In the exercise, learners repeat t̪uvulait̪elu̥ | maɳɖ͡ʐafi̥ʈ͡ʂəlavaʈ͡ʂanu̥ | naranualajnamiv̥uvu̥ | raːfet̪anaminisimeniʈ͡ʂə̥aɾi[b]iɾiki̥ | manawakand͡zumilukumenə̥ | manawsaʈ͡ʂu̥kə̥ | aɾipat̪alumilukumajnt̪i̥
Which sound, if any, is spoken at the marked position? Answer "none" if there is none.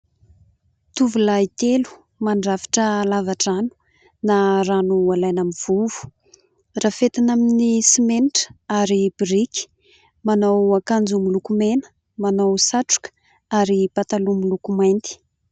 b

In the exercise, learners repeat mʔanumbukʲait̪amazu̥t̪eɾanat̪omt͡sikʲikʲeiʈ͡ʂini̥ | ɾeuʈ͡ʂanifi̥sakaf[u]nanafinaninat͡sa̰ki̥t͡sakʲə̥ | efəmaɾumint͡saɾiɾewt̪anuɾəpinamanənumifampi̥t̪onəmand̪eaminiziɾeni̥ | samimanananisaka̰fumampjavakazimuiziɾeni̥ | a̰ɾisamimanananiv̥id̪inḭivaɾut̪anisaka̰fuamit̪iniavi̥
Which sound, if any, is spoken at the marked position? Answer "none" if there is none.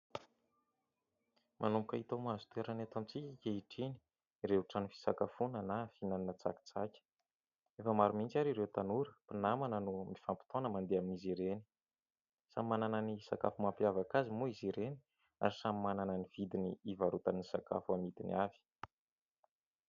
u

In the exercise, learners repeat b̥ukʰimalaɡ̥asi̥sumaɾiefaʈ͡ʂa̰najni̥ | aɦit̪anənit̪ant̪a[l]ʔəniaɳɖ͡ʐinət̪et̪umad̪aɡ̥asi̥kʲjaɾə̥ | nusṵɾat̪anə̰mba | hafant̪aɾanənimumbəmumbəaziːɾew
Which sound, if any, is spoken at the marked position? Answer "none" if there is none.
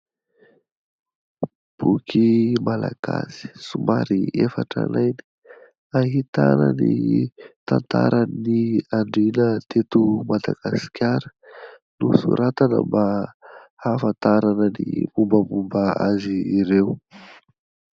ɾ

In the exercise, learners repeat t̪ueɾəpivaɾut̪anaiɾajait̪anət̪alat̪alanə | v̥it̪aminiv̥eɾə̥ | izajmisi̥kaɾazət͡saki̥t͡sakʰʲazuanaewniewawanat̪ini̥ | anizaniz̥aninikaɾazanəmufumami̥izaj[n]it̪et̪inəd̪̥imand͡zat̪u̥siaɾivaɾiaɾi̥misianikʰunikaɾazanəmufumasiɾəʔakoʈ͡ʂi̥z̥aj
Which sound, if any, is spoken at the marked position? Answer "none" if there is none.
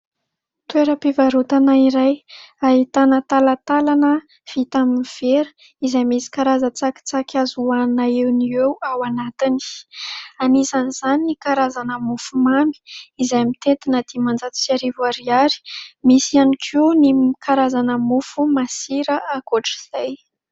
m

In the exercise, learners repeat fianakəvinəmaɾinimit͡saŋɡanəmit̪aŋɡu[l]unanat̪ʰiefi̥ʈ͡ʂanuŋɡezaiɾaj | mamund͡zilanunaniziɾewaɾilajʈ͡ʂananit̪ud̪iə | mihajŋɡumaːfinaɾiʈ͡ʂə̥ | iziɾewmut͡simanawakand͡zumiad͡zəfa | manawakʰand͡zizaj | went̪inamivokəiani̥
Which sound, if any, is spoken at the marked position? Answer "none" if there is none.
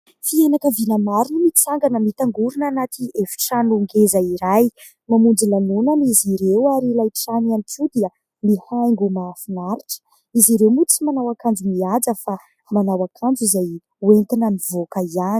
ɾ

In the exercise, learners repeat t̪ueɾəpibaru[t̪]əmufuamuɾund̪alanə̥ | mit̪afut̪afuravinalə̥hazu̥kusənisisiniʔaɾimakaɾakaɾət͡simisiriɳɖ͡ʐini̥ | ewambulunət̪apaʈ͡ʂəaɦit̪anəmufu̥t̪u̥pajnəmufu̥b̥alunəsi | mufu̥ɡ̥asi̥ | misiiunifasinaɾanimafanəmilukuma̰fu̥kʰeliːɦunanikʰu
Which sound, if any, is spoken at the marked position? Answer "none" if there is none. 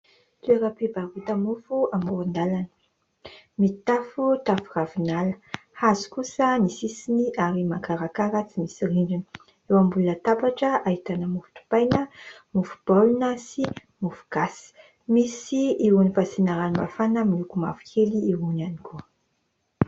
t̪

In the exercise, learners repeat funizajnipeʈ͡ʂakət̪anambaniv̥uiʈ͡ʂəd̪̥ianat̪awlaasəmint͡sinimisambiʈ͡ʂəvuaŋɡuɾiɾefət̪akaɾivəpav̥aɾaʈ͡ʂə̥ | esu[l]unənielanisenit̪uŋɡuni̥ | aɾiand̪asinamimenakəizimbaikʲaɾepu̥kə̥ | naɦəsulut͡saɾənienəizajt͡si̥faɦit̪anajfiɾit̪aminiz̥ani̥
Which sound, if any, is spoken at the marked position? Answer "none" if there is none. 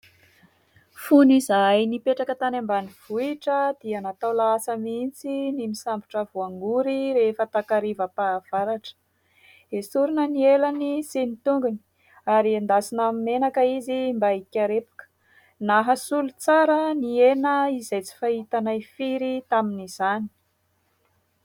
ɾ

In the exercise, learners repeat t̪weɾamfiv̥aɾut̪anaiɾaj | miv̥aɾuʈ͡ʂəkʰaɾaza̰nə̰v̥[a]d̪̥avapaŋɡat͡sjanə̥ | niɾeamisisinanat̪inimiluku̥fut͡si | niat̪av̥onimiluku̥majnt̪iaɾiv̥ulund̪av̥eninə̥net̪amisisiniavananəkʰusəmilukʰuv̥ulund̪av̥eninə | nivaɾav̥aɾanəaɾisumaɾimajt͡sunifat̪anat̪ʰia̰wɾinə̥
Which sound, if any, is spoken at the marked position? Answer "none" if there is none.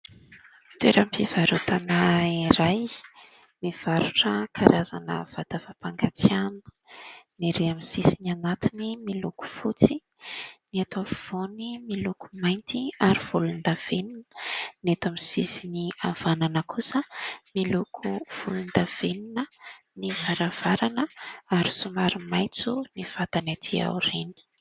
a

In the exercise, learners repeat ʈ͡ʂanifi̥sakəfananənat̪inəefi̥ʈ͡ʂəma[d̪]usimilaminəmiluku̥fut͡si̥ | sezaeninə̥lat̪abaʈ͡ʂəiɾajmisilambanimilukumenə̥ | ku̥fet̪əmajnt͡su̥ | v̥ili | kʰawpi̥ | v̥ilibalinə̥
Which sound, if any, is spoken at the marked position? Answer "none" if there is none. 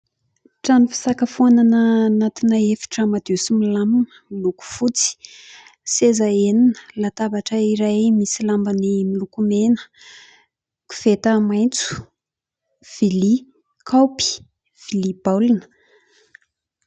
d̪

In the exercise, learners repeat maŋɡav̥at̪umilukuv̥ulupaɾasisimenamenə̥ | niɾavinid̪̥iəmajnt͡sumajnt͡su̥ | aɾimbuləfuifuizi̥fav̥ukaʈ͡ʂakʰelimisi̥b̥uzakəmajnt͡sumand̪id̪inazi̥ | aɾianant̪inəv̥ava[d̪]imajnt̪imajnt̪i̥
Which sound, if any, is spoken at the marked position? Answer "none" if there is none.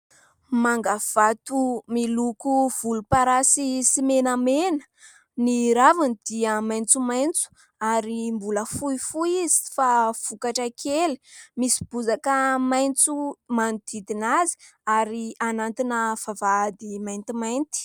d̪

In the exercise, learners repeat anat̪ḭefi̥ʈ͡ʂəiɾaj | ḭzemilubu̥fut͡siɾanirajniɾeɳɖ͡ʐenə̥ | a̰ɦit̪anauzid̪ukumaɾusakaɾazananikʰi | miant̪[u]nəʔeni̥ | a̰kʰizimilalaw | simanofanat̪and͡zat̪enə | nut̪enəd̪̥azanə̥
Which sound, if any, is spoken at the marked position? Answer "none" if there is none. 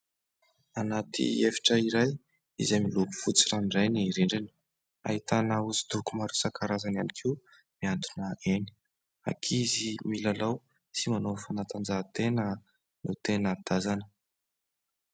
u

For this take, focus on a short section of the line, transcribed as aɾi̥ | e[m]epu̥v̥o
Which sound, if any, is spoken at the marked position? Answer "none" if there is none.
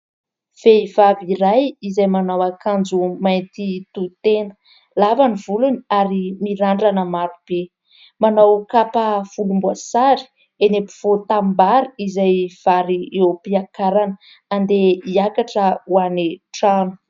n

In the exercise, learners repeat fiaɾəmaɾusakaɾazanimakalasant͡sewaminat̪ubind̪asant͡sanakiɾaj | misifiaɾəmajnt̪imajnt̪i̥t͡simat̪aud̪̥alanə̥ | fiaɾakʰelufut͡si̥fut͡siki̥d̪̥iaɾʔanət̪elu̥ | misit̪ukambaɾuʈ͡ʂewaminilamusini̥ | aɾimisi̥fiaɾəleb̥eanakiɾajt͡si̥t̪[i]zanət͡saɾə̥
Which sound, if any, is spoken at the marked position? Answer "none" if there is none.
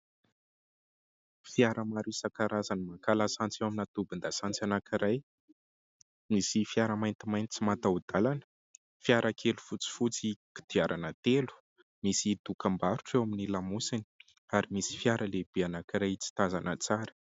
a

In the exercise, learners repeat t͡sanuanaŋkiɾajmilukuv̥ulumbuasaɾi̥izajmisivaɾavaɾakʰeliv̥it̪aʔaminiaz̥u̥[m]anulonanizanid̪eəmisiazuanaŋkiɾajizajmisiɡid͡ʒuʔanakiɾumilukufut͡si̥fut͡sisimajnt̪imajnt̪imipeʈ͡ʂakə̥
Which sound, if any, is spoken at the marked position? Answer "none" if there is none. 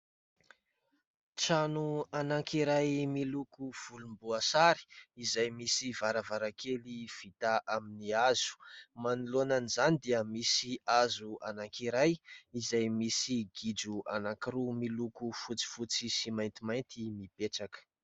m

